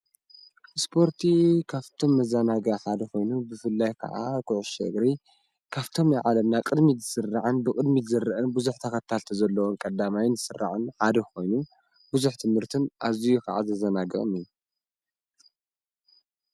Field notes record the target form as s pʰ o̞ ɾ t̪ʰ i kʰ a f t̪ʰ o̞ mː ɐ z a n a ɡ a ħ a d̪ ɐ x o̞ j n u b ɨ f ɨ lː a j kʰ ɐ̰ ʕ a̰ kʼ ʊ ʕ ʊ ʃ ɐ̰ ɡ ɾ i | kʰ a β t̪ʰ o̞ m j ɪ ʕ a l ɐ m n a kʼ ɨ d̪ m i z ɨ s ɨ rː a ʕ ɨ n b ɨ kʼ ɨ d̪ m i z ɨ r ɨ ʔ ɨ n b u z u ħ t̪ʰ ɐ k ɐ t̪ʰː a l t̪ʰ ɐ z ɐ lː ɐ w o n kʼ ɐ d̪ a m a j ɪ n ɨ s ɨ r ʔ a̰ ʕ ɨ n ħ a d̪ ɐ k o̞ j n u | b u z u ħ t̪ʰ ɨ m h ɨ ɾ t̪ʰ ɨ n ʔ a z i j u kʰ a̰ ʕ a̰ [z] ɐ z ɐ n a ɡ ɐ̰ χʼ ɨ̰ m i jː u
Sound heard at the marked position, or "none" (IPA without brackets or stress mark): z